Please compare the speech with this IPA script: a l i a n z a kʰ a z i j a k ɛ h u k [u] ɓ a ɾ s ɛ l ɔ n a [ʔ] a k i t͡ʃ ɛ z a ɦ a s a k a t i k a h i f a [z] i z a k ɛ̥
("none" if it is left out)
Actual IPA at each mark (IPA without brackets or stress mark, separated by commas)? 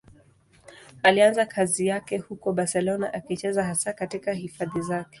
ɔ, ʔ, ð